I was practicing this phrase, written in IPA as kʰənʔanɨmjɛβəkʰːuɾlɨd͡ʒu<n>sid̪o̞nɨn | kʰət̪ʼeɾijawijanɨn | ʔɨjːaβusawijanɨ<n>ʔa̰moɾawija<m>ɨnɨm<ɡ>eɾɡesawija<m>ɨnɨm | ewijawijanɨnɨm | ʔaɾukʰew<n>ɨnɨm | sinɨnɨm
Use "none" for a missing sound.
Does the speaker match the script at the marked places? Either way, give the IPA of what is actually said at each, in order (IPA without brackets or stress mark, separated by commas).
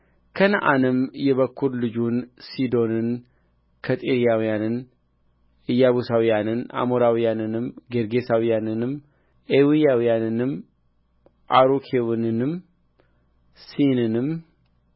n, n, n, ɡ, n, n